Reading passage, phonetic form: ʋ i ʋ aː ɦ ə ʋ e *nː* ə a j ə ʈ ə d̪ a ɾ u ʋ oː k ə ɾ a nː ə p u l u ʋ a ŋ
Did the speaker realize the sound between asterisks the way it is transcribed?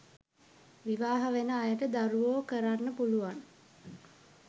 no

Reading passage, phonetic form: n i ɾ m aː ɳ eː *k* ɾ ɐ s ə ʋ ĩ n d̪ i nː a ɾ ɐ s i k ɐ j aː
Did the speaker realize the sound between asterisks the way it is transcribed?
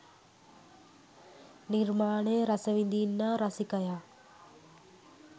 no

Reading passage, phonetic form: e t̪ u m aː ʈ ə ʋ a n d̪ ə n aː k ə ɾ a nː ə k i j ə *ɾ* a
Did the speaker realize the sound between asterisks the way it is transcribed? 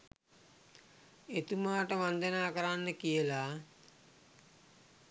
no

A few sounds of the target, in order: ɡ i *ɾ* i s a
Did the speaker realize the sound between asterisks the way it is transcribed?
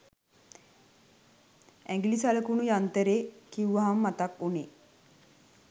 no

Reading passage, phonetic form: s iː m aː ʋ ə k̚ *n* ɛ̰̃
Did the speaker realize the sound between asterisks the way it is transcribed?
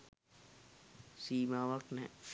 yes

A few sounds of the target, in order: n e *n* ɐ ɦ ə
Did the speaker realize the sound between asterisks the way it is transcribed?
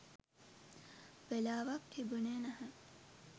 yes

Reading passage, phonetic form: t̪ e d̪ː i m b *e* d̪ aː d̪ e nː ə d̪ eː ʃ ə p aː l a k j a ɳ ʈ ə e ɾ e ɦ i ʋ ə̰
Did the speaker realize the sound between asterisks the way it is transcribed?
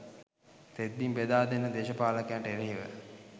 yes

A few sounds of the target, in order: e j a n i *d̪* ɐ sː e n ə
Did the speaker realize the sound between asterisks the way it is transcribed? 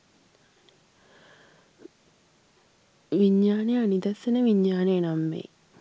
yes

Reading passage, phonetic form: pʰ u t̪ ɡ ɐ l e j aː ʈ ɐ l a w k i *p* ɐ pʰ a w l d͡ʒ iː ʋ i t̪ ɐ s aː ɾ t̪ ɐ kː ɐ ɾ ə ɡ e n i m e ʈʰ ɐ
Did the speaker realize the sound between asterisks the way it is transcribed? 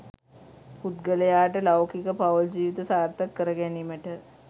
no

